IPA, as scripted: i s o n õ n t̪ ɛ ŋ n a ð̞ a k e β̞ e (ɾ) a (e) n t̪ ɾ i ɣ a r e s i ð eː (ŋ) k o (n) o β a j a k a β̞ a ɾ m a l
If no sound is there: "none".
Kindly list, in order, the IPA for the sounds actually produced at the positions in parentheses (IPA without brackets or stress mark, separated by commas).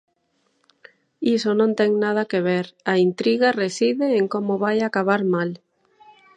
ɾ, i, ŋ, m